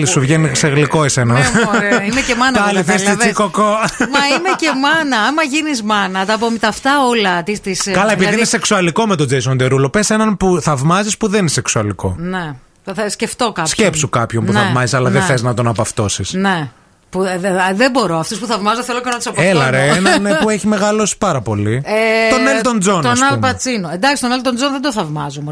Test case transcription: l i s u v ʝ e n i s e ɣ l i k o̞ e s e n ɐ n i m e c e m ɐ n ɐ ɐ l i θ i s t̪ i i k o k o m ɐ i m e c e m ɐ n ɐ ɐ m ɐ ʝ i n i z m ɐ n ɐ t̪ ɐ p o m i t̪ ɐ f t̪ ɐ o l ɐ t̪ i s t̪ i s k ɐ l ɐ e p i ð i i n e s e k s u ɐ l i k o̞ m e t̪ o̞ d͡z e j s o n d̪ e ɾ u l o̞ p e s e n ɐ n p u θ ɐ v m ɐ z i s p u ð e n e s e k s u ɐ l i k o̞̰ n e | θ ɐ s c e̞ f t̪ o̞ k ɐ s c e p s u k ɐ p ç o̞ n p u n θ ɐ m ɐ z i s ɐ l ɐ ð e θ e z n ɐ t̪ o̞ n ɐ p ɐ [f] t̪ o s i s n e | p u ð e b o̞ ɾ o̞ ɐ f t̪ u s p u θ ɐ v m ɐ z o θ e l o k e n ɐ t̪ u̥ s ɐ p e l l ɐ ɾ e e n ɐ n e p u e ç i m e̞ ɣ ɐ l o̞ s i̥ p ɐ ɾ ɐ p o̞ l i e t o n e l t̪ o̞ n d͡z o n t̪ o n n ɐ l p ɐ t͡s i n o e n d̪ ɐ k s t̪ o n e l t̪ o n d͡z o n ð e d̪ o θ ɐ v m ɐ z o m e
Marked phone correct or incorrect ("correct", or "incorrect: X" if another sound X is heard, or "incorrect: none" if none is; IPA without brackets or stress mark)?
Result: correct